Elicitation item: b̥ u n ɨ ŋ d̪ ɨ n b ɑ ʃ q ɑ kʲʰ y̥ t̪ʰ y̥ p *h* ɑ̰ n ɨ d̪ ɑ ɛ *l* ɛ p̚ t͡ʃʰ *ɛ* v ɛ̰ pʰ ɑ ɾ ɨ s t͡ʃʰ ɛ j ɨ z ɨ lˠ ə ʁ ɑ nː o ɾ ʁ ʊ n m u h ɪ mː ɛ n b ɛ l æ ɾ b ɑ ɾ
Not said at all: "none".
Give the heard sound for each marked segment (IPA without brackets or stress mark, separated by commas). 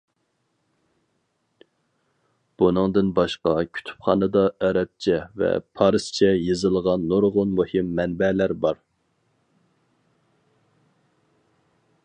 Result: χ, ɾ, ɛ